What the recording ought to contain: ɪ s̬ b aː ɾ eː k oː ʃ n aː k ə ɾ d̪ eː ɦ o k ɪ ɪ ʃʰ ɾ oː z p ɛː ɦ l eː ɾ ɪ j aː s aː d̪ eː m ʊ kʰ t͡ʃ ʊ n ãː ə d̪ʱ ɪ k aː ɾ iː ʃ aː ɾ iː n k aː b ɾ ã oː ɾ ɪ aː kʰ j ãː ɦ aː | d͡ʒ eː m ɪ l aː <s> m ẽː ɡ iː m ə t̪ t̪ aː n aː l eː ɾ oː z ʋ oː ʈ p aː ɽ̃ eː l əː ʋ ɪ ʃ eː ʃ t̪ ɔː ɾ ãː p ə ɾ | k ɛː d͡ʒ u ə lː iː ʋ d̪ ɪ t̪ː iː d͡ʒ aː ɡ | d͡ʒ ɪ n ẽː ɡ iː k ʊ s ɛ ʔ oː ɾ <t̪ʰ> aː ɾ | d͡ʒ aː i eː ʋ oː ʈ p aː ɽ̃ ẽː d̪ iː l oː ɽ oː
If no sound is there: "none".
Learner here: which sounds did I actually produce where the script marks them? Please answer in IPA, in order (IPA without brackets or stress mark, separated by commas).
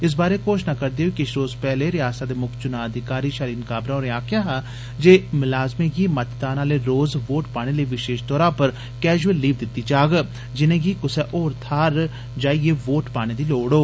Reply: z, t̪ʰ